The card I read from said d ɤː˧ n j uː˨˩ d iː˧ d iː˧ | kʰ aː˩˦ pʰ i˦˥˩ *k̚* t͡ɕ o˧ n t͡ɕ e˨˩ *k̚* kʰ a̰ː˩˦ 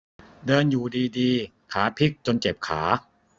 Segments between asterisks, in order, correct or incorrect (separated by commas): correct, incorrect